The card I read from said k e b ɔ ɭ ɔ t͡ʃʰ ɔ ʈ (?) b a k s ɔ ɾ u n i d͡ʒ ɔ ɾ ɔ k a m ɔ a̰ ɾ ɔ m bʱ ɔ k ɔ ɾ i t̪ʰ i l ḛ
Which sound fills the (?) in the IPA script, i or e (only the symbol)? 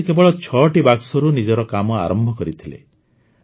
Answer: i